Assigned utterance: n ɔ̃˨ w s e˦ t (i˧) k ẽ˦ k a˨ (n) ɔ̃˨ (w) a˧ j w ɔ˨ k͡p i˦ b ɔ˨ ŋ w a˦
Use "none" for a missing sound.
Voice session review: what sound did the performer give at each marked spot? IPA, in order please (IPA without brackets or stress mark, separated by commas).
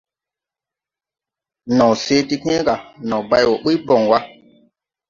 i˧, n, b